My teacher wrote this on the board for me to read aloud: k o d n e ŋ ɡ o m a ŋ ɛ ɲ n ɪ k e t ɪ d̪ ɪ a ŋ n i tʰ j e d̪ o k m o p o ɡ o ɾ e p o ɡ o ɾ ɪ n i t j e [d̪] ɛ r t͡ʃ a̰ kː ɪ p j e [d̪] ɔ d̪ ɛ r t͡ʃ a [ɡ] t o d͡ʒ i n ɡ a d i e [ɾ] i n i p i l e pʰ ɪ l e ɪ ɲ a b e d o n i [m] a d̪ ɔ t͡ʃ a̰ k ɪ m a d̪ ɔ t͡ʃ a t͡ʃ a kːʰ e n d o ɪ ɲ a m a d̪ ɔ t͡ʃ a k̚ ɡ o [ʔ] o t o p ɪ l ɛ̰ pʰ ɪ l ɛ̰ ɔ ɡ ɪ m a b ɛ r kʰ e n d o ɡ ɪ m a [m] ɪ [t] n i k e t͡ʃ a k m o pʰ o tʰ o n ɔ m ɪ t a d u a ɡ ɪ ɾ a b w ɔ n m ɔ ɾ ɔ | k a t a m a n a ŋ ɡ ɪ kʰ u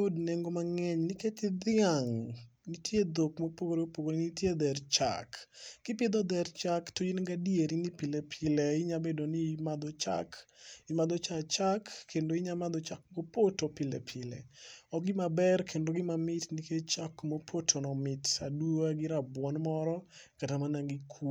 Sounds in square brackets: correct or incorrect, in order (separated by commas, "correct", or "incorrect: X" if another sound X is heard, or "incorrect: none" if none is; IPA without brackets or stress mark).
correct, correct, incorrect: k, correct, correct, incorrect: p, correct, correct